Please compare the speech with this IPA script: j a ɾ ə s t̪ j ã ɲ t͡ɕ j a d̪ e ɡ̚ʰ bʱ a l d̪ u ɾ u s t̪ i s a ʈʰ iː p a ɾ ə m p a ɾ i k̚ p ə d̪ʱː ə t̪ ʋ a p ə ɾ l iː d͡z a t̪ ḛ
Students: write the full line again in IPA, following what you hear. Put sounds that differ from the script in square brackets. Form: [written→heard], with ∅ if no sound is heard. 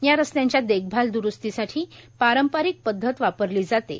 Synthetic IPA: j a ɾ ə s t̪ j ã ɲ t͡ɕ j a d̪ e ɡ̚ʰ bʱ a l d̪ u ɾ u s t̪ i s a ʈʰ iː p a ɾ ə m p a ɾ i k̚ p ə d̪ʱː ə t̪ ʋ a p ə ɾ l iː d͡z a t̪ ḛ